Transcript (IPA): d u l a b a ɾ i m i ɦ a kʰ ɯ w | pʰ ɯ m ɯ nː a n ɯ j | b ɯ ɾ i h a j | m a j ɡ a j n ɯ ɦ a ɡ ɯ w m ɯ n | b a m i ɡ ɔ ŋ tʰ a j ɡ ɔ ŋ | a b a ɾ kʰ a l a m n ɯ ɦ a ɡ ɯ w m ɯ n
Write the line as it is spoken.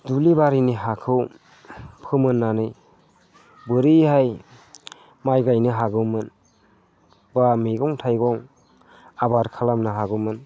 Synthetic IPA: d u l i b a ɾ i n i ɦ a kʰ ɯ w | pʰ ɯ m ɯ nː a n ɯ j | b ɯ ɾ i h a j | m a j ɡ a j n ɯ ɦ a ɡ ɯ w m ɯ n | b a m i ɡ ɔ ŋ tʰ a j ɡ ɔ ŋ | a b a ɾ kʰ a l a m n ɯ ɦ a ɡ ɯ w m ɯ n